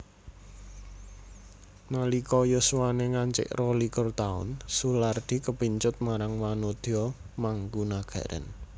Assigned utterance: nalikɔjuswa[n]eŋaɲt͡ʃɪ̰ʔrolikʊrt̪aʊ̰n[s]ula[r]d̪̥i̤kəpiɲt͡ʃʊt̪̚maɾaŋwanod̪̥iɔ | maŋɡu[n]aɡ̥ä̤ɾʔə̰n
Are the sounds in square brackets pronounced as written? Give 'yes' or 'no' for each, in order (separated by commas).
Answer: yes, yes, yes, yes